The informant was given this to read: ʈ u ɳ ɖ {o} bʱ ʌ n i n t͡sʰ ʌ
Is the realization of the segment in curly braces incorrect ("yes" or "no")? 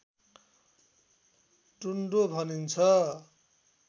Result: no